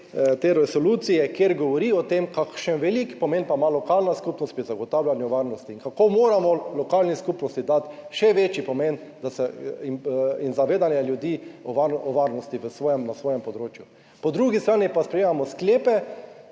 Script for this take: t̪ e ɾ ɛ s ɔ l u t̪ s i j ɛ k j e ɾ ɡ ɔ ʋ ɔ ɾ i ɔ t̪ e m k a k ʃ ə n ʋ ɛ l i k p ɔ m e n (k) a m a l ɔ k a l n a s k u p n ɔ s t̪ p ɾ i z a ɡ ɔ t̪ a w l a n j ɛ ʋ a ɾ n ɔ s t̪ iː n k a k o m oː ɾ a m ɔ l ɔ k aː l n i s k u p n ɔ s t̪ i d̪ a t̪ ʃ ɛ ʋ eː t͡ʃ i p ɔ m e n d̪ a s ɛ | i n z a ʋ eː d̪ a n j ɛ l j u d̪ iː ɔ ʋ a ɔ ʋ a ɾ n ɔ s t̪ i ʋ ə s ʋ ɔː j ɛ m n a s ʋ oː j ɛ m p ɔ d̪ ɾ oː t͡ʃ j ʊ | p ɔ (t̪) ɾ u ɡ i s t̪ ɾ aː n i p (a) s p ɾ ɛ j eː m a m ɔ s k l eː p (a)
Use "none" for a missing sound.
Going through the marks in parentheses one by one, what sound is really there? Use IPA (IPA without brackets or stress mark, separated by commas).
p, d̪, a, ɛ